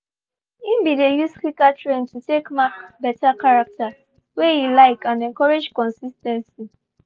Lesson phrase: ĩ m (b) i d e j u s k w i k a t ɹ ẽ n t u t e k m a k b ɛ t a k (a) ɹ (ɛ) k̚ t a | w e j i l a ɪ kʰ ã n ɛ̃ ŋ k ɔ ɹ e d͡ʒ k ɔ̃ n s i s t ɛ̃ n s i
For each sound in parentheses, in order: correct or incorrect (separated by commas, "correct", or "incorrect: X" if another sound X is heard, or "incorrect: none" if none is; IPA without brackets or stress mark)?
correct, correct, incorrect: a